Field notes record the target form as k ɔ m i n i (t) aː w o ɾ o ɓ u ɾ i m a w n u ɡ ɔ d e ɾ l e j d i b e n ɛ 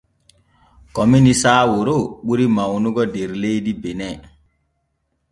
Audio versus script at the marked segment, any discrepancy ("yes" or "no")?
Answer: yes